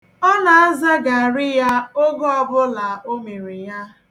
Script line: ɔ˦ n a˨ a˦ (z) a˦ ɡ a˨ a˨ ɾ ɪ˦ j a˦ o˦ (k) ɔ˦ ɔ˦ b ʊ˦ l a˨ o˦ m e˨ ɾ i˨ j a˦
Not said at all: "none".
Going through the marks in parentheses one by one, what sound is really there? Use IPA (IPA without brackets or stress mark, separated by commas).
z, ɡ